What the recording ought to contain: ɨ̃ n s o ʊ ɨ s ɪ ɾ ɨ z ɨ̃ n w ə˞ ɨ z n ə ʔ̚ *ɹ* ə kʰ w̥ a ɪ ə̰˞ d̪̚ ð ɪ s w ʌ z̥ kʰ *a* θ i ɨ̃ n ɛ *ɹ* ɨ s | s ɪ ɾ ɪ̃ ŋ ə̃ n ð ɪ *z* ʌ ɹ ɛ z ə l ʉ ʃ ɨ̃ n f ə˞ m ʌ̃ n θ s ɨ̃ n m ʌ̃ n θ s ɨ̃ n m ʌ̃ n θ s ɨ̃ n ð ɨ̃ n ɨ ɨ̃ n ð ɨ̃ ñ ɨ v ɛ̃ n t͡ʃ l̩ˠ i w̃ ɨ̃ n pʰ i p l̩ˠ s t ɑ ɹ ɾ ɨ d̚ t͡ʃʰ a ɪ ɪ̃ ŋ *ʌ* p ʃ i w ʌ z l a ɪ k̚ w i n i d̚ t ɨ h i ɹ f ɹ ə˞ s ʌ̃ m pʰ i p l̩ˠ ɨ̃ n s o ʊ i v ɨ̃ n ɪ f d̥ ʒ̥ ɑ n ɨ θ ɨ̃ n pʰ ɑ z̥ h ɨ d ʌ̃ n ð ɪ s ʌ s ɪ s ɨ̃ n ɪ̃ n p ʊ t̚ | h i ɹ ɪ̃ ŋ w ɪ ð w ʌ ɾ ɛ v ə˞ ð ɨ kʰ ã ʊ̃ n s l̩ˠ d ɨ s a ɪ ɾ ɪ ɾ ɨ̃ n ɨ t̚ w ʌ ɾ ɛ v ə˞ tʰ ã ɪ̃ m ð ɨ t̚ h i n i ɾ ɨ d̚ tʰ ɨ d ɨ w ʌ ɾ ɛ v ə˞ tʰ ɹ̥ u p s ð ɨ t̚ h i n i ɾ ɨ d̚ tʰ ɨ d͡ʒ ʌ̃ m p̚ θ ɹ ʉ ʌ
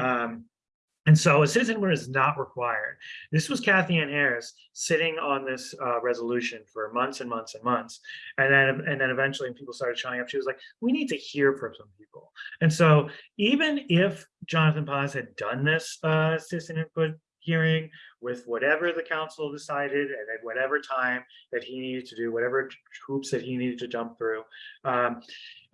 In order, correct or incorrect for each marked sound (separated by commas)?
correct, incorrect, correct, incorrect, correct